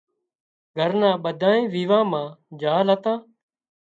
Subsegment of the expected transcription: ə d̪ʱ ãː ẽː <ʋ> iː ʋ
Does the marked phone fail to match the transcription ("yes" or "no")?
no